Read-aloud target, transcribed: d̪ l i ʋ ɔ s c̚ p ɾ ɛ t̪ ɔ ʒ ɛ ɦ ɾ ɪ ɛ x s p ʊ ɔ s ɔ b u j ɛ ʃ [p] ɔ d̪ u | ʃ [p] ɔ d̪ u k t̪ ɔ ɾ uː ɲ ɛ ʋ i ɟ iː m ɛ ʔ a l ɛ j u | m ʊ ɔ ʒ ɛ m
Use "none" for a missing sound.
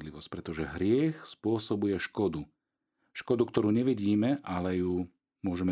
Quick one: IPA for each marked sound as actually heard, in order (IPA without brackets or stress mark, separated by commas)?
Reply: k, k